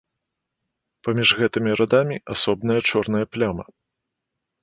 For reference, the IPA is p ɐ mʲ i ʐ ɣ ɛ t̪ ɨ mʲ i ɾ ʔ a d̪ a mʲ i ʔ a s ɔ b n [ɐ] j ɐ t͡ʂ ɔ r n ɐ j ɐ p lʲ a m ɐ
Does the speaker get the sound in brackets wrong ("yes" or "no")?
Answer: no